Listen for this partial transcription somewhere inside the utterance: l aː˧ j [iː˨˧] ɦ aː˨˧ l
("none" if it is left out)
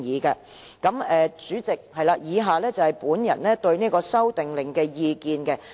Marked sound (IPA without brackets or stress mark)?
iː˨˧